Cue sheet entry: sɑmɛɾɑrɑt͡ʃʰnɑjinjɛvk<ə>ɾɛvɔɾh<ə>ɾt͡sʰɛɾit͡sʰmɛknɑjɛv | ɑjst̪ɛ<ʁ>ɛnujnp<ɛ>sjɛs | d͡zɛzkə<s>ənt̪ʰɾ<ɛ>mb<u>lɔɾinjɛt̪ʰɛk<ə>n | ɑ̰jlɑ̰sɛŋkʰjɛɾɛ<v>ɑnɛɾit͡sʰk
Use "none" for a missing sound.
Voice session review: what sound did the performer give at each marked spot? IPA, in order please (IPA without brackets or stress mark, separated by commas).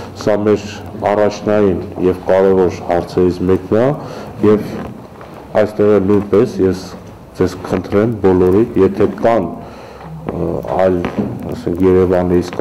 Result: ɑ, ɑ, ʁ, ɛ, χ, ɛ, ɔ, ɑ, v